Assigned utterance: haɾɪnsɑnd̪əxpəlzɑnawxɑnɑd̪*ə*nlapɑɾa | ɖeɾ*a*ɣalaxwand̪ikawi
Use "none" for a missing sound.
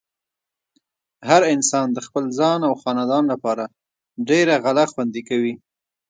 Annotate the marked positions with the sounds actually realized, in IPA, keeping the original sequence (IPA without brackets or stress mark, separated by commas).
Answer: ɑ, a